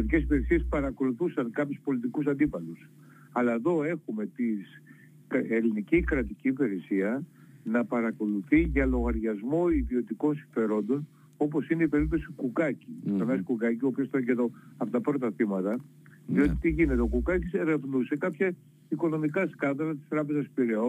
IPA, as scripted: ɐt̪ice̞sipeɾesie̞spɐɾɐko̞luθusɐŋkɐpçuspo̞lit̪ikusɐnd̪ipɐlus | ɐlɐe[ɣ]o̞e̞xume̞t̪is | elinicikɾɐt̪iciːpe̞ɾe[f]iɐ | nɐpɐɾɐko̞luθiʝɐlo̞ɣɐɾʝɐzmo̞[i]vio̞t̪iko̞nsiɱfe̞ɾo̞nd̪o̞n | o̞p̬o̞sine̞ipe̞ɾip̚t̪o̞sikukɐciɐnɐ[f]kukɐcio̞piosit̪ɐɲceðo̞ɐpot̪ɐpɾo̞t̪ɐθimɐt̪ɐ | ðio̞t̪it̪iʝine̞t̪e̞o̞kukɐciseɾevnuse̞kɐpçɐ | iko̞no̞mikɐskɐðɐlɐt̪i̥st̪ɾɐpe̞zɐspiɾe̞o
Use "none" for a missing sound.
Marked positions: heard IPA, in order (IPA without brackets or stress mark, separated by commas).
ð, s, i, s